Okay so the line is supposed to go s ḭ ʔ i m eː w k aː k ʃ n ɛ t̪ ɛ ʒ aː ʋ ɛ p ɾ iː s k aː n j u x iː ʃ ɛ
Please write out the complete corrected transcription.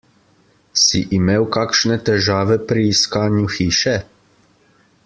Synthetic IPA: s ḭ ʔ i m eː w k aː k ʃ n ɛ t̪ ɛ ʒ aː ʋ ɛ p ɾ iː s k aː n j u x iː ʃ ɛ